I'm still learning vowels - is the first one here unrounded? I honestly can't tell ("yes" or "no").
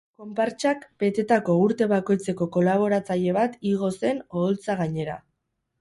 no